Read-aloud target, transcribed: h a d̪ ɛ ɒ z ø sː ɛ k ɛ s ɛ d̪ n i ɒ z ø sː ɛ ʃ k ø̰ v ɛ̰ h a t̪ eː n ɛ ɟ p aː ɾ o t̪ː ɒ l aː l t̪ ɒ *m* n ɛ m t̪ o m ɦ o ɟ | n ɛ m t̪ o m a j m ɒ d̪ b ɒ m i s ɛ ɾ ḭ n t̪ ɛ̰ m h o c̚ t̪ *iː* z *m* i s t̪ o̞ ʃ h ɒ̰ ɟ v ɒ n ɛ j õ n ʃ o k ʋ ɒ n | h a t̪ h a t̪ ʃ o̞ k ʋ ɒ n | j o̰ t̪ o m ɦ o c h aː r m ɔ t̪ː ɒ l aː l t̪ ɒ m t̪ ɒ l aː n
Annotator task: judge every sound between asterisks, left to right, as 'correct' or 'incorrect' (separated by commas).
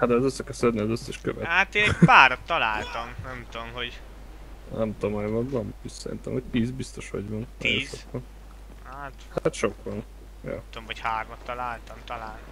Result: correct, correct, incorrect